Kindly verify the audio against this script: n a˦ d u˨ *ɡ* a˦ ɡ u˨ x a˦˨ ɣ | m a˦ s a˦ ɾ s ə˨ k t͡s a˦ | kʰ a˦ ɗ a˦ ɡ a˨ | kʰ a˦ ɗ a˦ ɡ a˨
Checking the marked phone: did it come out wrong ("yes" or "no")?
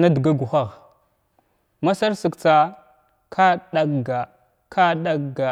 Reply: no